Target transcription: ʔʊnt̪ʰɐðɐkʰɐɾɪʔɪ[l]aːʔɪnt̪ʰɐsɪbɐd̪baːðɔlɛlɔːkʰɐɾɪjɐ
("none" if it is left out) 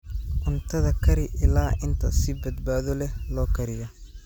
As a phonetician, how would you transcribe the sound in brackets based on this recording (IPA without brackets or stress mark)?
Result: l